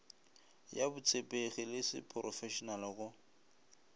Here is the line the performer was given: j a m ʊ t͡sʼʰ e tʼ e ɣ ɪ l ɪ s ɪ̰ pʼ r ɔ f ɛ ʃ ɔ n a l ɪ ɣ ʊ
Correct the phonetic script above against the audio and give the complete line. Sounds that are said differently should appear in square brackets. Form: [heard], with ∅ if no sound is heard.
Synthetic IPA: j a [b] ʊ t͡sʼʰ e [pʼ] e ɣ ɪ l ɪ s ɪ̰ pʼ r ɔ f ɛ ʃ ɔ n a l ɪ ɣ ʊ